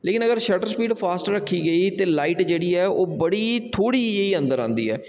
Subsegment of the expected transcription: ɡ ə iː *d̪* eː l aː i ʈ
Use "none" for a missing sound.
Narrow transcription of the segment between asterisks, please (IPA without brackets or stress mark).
t̪